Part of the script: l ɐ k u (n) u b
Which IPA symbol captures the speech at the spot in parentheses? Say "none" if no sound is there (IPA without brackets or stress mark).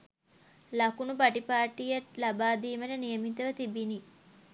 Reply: n